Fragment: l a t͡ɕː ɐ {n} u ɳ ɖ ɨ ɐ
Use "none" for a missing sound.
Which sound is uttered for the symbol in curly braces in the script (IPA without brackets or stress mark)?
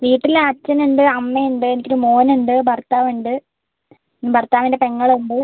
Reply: n